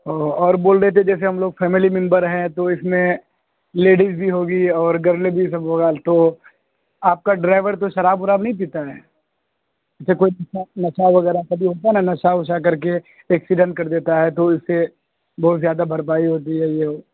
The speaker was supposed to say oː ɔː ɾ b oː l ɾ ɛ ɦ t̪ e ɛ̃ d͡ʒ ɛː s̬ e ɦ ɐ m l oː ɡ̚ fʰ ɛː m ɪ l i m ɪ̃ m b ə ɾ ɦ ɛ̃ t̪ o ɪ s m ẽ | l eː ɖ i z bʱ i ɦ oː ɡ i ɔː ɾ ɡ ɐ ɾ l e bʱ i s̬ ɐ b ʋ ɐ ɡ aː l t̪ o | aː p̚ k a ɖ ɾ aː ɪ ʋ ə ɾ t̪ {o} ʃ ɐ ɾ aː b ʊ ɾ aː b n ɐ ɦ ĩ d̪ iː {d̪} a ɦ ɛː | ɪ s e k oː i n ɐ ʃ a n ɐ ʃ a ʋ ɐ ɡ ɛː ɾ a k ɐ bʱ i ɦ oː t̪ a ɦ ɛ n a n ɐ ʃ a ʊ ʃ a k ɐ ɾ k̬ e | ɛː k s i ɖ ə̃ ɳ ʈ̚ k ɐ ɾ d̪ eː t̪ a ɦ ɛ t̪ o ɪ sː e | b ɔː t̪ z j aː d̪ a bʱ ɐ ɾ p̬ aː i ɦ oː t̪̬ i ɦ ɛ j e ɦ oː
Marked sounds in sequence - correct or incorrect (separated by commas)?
correct, incorrect